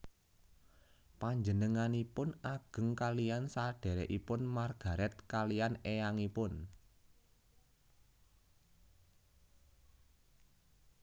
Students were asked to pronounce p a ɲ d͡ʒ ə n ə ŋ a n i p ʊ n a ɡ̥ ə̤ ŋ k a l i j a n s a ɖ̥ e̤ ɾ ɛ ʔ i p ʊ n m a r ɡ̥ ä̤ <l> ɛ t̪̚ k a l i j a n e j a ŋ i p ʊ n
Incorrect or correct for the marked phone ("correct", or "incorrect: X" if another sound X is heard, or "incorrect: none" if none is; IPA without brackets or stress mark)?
incorrect: ɾ